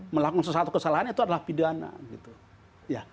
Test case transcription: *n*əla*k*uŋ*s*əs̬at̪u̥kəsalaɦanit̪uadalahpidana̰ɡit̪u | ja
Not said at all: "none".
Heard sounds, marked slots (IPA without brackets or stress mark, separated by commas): m, k, s